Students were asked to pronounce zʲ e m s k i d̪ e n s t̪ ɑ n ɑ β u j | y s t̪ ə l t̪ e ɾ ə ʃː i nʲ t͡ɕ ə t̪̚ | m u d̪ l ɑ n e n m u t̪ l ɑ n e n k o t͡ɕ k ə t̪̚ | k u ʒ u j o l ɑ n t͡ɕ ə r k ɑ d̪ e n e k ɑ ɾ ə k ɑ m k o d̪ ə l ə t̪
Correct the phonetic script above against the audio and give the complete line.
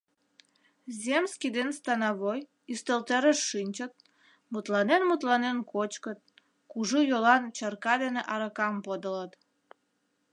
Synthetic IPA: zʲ e m s k i d̪ e n s t̪ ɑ n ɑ β o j | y s t̪ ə l t̪ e ɾ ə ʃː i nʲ t͡ɕ ə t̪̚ | m u t̪ l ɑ n e n m u t̪ l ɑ n e n k o t͡ɕ k ə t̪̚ | k u ʒ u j o l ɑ n t͡ɕ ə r k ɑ d̪ e n e ʔ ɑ ɾ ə k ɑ m p o d̪ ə l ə t̪